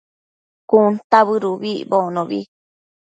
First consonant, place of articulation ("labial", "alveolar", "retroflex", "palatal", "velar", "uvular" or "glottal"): velar